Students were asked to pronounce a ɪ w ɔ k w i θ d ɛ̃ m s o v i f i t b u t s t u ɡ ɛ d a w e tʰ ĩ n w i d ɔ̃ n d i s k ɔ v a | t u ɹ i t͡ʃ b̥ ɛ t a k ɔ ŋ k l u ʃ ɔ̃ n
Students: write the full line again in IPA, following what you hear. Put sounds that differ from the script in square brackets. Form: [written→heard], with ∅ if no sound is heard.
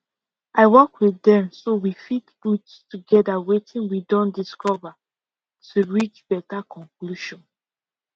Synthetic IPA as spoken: a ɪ w ɔ k w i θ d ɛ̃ m s o [v→w] i f i t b u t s t u ɡ ɛ d a w e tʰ ĩ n w i d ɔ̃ n d i s k ɔ v a | t u ɹ i t͡ʃ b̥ ɛ t a k [ɔ→ɔ̃] ŋ k l u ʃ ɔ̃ n